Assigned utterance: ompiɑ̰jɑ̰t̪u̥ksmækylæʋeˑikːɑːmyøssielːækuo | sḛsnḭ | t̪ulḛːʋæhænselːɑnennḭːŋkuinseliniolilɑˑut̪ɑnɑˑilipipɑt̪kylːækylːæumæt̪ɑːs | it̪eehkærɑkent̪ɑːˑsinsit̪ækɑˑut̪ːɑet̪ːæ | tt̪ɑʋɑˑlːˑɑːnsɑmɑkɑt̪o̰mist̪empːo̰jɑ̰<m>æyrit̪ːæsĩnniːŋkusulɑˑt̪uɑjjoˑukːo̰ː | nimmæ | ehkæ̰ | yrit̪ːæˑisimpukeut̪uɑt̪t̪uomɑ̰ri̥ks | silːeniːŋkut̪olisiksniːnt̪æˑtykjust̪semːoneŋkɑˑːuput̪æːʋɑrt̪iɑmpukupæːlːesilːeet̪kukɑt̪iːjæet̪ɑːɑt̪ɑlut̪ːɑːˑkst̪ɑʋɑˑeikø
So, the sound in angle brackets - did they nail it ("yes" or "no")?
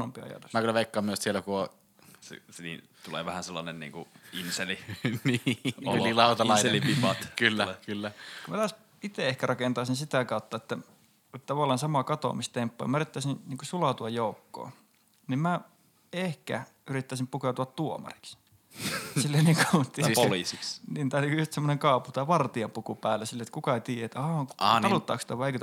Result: yes